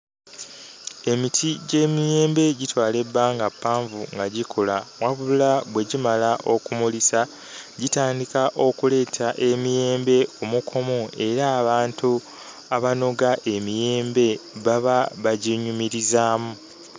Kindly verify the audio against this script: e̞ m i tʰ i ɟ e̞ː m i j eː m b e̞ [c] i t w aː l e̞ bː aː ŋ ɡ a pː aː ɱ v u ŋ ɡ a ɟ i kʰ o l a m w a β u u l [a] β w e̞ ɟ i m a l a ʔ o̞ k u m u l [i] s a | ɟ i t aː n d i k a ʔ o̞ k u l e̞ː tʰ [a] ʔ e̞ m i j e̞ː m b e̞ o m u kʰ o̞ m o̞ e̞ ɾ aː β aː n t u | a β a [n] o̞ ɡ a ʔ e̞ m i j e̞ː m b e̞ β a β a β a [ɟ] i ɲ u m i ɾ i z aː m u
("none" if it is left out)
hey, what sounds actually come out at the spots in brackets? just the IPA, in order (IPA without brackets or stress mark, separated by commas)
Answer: ɟ, a, i, a, n, ɟ